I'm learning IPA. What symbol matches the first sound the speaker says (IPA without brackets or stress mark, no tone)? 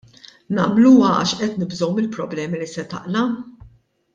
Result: n